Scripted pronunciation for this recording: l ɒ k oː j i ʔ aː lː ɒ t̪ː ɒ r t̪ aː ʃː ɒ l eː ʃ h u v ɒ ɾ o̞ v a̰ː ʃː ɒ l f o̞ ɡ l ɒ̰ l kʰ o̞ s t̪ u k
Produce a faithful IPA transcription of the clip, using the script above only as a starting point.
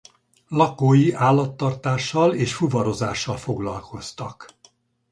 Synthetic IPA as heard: l ɒ k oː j i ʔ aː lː ɒ t̪ː ɒ r t̪ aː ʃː ɒ l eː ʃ f u v ɒ ɾ o̞ z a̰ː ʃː ɒ l f o̞ ɡ l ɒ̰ l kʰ o̞ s t̪ ɒ k